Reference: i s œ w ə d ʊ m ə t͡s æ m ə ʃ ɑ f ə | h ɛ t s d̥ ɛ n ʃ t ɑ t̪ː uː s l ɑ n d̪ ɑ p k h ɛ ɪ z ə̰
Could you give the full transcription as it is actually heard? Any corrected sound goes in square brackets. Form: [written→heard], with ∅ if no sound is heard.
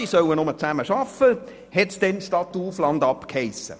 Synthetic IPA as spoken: i s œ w ə [d→n] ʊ m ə t͡s æ m ə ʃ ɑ f ə | h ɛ t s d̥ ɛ n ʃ t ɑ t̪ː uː [s→f] l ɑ n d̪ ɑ p k h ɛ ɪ [z→s] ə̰